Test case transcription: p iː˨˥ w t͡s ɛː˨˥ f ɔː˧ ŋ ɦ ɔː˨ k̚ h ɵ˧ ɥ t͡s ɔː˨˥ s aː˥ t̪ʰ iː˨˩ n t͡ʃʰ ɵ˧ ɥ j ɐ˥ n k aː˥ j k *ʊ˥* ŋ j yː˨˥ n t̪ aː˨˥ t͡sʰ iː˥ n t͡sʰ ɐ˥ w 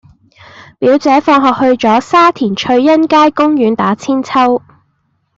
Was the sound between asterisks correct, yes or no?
yes